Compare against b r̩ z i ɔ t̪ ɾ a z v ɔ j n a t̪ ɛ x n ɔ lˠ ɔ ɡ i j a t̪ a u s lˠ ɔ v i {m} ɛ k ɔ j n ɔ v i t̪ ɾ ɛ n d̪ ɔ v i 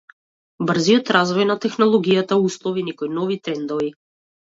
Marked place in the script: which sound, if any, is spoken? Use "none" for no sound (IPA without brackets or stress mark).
n